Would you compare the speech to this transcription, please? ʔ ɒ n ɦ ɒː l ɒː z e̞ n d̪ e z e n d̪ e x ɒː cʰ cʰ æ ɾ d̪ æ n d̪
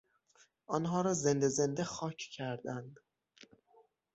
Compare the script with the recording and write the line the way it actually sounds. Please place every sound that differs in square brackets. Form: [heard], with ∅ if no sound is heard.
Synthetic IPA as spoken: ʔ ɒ n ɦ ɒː [ɾ] ɒː z e̞ n d̪ e z e n d̪ e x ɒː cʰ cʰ æ ɾ d̪ æ n d̪

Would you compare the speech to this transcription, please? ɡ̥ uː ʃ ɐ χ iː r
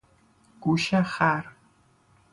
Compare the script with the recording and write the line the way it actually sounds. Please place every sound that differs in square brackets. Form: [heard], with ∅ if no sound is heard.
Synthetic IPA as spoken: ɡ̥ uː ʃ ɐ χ [aː] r

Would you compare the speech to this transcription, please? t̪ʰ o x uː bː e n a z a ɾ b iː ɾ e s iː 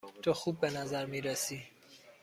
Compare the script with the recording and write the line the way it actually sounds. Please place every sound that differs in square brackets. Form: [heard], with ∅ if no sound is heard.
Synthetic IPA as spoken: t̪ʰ o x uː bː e n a z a ɾ [m] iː ɾ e s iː

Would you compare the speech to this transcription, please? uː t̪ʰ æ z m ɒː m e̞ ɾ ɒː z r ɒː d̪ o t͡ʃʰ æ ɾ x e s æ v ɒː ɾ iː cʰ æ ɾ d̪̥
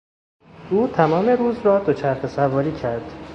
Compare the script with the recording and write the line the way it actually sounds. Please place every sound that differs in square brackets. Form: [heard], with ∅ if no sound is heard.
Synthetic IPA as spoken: uː t̪ʰ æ [∅] m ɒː m e̞ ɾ [uː] z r ɒː d̪ o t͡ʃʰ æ ɾ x e s æ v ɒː ɾ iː cʰ æ ɾ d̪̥

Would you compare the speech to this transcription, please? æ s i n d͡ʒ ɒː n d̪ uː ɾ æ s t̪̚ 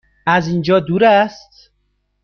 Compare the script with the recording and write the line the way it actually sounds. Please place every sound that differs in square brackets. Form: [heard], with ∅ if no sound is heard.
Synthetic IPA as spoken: æ [z] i n d͡ʒ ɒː [∅] d̪ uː ɾ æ s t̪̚

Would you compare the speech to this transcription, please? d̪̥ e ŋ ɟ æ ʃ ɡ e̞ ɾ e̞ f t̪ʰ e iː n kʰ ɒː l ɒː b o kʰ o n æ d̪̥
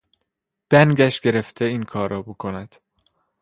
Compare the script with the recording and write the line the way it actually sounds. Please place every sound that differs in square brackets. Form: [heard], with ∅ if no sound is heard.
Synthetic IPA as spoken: d̪̥ [æ] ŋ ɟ æ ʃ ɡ e̞ ɾ e̞ f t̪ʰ e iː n kʰ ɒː [ɾ] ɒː b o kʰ o n æ d̪̥

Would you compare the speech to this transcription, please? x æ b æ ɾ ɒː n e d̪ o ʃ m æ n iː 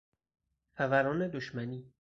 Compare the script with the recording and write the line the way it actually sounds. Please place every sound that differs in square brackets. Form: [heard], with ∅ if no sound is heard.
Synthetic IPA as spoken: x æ [v] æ ɾ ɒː n e d̪ o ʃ m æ n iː

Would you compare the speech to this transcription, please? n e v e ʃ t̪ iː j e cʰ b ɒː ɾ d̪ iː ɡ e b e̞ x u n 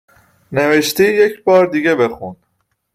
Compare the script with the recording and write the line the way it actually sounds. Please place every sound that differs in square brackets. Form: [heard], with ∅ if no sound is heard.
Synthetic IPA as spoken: n e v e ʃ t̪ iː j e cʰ b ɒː ɾ d̪ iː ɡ e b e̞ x u n

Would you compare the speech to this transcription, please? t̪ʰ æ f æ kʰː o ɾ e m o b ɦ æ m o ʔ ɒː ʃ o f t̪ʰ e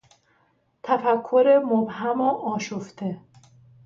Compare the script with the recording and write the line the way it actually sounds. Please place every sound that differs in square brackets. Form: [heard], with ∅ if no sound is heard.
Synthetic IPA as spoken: t̪ʰ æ f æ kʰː o ɾ e m o b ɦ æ m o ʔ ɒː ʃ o f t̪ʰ e

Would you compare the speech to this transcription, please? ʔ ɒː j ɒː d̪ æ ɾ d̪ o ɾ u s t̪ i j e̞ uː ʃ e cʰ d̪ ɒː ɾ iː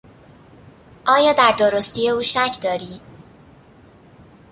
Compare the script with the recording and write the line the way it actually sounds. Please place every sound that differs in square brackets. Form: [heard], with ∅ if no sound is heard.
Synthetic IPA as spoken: ʔ ɒː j ɒː d̪ æ ɾ d̪ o ɾ [o] s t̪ i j e̞ uː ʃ [æ] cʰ d̪ ɒː ɾ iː

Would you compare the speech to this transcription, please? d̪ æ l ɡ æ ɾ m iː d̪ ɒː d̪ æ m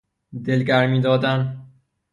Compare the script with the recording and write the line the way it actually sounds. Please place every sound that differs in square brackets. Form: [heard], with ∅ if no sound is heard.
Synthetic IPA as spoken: d̪ [e] l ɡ æ ɾ m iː d̪ ɒː d̪ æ [n]

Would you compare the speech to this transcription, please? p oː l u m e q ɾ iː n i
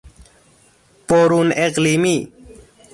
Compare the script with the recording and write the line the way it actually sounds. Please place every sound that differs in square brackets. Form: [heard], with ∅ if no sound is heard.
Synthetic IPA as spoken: p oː [ɾ] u [n] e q [l] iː [m] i

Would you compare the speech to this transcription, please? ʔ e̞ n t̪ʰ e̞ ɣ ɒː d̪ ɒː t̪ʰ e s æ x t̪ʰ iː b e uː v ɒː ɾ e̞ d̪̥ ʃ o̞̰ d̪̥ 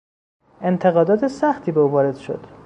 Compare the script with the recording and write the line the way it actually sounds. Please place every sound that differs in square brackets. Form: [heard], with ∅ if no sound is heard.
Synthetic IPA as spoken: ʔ e̞ n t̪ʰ e̞ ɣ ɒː d̪ ɒː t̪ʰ e s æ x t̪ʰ iː b e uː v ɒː ɾ e̞ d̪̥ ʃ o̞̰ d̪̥

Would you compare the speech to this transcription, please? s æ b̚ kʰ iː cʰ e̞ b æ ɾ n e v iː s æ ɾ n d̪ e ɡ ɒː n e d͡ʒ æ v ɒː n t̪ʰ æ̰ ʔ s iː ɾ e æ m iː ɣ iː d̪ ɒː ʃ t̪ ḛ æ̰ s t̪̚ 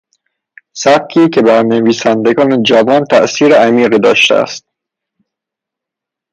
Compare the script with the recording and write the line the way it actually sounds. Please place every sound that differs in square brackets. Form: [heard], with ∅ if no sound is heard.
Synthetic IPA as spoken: s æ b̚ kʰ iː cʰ e̞ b æ ɾ n e v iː s æ [∅] n d̪ e ɡ ɒː n e d͡ʒ æ v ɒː n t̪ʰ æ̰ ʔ s iː ɾ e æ m iː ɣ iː d̪ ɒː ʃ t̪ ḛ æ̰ s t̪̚

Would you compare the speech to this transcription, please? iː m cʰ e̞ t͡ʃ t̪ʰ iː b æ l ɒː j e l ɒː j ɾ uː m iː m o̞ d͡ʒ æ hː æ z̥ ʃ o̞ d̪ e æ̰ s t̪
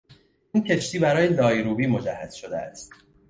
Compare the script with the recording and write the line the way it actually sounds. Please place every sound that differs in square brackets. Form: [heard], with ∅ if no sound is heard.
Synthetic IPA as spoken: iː [n] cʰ e̞ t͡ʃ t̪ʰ iː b æ [ɾ] ɒː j e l ɒː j ɾ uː [b] iː m o̞ d͡ʒ æ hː æ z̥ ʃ o̞ d̪ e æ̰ s t̪

